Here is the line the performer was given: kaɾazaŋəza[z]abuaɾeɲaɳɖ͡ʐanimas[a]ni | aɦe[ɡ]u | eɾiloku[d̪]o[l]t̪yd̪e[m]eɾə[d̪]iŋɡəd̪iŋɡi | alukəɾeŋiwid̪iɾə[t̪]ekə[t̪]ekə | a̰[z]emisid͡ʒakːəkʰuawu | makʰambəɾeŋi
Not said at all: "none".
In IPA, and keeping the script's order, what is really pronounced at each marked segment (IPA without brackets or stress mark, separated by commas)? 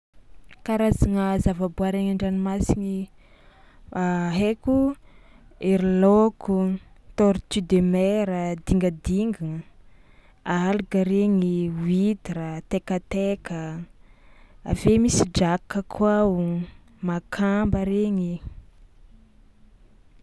v, i, k, t̪, ɾ, m, d̪, t̪, t̪, v